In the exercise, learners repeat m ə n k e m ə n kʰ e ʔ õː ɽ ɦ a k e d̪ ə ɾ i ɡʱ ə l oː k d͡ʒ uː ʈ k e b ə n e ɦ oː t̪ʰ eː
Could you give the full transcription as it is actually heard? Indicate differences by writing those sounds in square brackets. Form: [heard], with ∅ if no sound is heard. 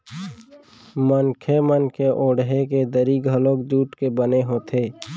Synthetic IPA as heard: m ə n [kʰ] e m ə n kʰ e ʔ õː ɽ ɦ [e] k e d̪ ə ɾ i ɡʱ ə l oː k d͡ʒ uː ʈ k e b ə n e ɦ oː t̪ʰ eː